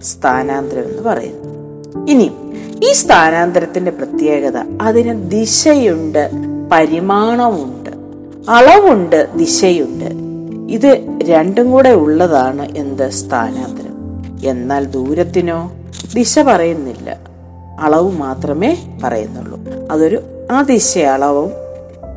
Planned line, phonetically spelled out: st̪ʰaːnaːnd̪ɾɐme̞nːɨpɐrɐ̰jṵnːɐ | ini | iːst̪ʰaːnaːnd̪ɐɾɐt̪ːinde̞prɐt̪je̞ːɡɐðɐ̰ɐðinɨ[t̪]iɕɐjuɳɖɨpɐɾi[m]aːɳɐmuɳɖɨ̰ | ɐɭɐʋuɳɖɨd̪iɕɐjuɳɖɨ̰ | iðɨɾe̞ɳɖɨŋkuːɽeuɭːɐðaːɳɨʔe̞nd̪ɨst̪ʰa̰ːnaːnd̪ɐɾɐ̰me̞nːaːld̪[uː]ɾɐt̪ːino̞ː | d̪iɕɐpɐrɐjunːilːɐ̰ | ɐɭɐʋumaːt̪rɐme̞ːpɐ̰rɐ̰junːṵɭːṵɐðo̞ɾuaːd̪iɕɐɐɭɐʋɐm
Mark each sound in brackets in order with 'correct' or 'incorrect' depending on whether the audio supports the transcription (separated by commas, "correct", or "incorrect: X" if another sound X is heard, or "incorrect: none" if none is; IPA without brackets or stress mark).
incorrect: d̪, correct, correct